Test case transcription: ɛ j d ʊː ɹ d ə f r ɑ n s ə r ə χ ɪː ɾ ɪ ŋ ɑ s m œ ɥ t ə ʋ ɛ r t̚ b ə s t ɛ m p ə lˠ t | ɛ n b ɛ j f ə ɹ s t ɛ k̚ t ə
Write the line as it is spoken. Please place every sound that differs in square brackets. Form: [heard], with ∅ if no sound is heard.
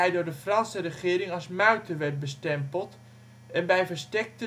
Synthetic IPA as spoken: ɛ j d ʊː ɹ d ə f r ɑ n s ə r ə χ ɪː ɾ ɪ ŋ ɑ s m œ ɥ t ə ʋ ɛ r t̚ b ə s t ɛ m p ə lˠ t | ɛ n b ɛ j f ə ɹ s t ɛ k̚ t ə